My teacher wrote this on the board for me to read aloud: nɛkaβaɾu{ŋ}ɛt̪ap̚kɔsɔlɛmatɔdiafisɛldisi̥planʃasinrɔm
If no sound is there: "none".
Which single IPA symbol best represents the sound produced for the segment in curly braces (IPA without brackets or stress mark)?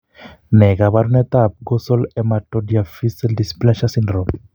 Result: n